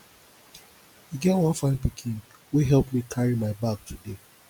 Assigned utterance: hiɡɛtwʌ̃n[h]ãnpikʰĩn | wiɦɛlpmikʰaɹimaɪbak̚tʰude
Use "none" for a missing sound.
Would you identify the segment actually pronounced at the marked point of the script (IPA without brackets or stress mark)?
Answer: f